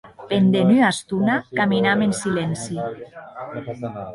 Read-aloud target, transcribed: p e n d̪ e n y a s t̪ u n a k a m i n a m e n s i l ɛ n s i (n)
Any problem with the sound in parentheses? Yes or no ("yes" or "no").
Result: yes